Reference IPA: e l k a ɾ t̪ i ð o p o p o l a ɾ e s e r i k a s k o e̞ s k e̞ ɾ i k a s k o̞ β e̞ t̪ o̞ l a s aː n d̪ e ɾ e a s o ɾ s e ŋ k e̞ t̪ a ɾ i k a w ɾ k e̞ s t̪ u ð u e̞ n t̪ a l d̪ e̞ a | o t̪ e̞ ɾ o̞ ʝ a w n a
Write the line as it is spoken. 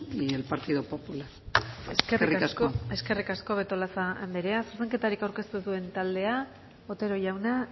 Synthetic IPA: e l p a ɾ t̪ i ð o p o p u l a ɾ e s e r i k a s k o e̞ s k e̞ r i k a s k o̞ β e̞ t̪ o̞ l a s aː n d̪ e ɾ e a s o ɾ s e ŋ k e̞ t̪ a ɾ i k a w ɾ k e̞ s t̪ u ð u e̞ n t̪ a l d̪ e̞ a | o t̪ e̞ ɾ o̞ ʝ a w n a